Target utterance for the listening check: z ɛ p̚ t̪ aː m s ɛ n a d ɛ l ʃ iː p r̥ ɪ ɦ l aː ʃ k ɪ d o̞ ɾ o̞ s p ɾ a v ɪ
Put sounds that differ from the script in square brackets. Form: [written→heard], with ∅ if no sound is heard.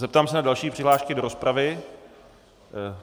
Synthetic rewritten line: z ɛ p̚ t̪ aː m s ɛ n a d [ɛ→a] l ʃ iː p r̥ ɪ ɦ l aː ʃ k ɪ d o̞ ɾ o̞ s p ɾ a v ɪ